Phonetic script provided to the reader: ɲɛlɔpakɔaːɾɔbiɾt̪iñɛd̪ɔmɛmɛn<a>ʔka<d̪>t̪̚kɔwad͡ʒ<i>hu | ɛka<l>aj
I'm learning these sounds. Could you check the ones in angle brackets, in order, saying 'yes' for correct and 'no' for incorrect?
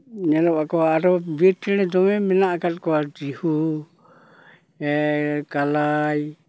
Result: yes, no, yes, yes

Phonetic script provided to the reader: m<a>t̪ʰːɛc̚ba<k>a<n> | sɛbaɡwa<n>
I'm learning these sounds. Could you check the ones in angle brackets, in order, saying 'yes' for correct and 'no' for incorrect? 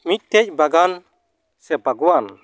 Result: no, no, yes, yes

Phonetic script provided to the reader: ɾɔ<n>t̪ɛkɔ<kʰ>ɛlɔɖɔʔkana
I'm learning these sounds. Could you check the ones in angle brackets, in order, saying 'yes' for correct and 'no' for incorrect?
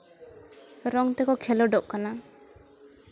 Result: no, yes

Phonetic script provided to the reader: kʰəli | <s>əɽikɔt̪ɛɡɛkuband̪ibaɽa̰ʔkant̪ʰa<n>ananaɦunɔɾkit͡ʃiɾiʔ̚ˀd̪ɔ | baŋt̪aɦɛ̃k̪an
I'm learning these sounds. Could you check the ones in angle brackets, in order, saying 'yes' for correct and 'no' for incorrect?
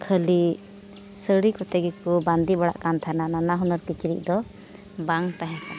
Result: yes, yes

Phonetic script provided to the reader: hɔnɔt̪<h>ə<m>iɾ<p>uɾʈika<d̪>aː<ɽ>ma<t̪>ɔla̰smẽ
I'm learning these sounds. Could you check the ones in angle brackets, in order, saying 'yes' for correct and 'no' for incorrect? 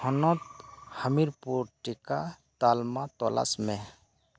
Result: yes, yes, yes, no, no, yes

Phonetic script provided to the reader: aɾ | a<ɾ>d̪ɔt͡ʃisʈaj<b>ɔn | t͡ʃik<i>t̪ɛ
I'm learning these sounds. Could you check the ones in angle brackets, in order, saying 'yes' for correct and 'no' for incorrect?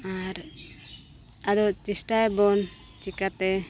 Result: no, yes, no

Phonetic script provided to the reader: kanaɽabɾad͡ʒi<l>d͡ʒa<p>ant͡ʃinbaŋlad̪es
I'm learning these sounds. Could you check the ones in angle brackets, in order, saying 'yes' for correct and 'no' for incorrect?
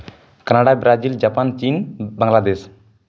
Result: yes, yes

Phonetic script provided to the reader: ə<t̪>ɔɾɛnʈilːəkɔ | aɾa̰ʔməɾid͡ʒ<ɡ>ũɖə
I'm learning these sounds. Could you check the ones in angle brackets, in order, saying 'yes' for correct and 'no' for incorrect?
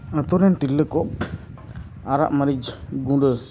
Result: yes, yes

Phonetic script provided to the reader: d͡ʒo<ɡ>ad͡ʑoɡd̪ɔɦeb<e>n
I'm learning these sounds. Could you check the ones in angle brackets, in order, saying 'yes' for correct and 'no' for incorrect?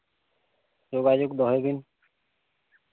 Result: yes, no

